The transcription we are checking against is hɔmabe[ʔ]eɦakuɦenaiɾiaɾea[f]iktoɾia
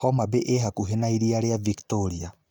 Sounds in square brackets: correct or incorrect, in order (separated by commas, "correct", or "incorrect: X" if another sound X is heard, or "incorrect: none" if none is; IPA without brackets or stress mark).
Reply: correct, incorrect: v